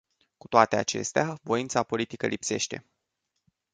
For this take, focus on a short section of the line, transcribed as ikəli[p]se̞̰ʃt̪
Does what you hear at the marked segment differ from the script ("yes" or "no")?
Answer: no